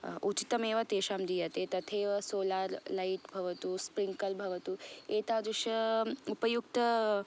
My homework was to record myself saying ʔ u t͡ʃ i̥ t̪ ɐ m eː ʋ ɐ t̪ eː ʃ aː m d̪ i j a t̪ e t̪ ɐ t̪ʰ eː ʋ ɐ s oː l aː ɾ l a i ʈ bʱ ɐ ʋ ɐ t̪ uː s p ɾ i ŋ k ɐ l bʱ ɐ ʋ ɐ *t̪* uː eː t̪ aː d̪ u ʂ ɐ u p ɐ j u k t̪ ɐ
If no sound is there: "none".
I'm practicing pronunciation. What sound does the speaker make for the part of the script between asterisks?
t̪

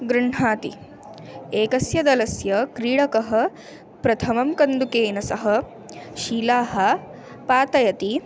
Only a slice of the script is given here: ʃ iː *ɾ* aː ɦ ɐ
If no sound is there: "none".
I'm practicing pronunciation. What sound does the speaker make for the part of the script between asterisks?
l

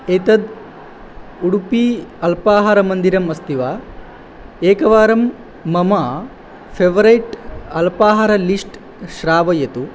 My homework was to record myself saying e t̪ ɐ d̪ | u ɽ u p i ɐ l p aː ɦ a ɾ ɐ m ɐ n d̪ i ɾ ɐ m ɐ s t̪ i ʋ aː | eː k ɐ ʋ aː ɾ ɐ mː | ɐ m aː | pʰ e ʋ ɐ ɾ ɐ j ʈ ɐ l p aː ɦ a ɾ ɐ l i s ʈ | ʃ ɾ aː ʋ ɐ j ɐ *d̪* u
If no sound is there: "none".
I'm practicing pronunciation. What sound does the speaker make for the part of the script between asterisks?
t̪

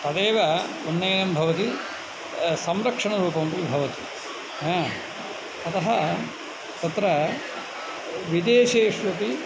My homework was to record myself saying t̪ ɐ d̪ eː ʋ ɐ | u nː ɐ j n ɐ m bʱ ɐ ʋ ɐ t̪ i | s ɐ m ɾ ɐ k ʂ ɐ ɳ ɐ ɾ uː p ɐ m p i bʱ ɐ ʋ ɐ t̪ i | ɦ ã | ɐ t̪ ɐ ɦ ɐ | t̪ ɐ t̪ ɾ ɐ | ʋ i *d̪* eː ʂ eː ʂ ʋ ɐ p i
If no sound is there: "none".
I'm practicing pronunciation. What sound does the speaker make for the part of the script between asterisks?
d̪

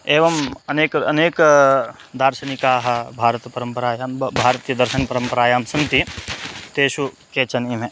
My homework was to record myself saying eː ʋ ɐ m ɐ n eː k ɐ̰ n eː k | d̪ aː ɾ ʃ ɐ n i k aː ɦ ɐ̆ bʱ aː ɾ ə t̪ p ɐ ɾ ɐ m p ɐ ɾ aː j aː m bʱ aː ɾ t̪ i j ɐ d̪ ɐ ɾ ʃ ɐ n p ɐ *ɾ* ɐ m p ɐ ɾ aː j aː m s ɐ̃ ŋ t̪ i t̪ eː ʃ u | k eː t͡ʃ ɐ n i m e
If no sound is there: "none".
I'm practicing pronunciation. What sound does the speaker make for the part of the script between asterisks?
ɾ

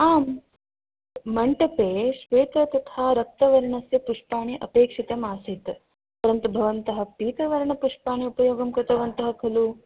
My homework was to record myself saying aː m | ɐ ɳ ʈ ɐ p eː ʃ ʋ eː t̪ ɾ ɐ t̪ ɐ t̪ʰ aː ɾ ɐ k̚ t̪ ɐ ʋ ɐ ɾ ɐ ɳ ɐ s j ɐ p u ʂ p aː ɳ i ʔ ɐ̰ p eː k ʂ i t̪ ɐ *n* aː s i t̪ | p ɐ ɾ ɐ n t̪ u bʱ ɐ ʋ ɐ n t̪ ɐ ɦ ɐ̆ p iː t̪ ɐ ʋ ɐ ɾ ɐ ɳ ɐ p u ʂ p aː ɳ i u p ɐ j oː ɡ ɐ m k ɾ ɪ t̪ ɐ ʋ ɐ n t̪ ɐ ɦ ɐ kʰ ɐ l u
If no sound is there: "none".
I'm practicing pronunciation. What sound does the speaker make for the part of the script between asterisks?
m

